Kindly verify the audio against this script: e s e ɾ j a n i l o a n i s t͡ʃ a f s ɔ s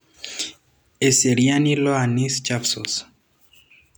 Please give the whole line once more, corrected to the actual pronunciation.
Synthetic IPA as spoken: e s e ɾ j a n i l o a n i s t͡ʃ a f s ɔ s